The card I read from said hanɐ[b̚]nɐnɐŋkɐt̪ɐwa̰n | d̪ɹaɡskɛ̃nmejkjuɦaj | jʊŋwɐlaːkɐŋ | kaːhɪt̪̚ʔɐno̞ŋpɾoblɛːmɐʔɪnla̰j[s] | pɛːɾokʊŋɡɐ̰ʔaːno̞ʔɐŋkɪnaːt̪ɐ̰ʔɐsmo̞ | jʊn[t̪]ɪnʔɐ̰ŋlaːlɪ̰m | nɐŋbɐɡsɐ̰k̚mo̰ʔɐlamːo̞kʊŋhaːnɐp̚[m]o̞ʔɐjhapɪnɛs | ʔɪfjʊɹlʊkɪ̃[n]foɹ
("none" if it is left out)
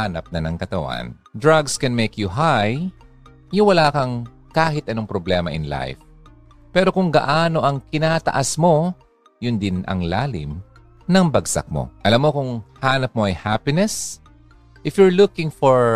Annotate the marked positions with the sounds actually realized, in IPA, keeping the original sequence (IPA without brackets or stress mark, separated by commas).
p̚, f, d̪, m, ŋ